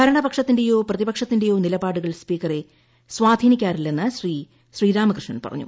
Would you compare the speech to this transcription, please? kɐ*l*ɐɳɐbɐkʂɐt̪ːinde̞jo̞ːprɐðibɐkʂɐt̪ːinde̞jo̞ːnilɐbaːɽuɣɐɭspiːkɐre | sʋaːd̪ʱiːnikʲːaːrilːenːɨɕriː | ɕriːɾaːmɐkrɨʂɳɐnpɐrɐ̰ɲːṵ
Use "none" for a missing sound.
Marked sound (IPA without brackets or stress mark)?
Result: ɾ